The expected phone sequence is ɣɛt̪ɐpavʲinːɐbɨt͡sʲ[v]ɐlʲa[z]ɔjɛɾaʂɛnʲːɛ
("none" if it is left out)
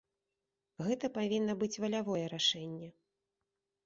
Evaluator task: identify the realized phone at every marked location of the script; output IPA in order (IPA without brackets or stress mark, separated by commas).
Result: v, v